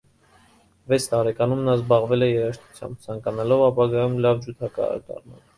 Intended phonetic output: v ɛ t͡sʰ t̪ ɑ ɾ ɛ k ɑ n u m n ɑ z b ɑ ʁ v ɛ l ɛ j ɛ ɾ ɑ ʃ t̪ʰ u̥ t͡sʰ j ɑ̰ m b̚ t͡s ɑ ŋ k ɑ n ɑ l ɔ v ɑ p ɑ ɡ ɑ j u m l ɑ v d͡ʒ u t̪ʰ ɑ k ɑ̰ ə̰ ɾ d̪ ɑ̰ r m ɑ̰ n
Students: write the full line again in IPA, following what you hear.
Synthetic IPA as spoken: v ɛ t͡sʰ t̪ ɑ ɾ ɛ k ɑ n u m n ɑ z b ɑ ʁ v ɛ l ɛ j ɛ ɾ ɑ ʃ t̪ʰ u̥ t͡sʰ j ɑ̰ m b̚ t͡sʰ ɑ ŋ k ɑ n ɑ l ɔ v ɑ p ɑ ɡ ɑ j u m l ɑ v d͡ʒ u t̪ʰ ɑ k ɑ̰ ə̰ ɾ d̪ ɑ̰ r m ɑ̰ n